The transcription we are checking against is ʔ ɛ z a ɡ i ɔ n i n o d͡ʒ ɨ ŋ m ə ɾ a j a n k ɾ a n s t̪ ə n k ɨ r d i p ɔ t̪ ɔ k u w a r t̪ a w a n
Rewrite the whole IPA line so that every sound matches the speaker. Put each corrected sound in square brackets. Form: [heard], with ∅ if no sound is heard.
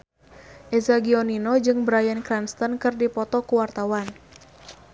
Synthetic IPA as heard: ʔ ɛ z a ɡ i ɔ n i n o d͡ʒ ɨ ŋ [b] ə ɾ a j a n k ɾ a n s t̪ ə n k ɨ r d i p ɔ t̪ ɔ k u w a r t̪ a w a n